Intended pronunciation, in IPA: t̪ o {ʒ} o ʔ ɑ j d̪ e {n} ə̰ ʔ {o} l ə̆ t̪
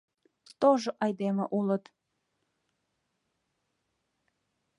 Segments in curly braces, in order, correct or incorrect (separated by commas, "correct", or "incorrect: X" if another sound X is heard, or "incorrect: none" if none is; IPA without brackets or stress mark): correct, incorrect: m, incorrect: u